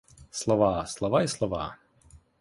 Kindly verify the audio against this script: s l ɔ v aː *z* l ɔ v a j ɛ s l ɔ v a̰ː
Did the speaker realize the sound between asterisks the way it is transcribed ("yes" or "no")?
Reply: no